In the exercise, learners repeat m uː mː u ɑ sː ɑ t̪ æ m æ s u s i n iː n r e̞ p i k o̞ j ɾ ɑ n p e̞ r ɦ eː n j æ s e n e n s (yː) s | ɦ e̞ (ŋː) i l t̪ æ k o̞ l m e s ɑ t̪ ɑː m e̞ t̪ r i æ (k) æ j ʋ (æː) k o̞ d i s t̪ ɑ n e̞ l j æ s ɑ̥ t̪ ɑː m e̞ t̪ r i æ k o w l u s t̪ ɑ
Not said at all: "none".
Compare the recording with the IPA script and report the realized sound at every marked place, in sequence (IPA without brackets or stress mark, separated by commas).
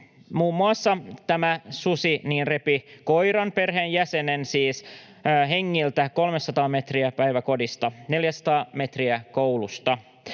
iː, ŋː, p, æ